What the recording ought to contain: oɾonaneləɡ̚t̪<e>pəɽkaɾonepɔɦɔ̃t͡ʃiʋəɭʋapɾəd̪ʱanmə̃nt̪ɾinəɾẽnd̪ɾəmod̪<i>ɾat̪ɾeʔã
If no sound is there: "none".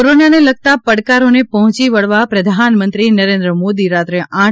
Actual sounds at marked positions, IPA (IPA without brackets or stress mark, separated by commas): a, i